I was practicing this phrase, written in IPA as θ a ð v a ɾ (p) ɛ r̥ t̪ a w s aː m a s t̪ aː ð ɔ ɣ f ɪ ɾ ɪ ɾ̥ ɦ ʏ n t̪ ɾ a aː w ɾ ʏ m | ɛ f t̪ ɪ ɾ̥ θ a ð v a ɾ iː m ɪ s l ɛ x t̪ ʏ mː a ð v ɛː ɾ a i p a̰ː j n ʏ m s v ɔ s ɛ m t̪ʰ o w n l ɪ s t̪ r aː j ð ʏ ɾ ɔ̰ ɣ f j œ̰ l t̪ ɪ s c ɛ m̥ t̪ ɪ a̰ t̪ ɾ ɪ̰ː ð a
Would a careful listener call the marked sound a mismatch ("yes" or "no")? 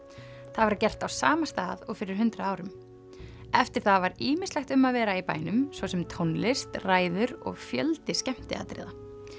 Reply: yes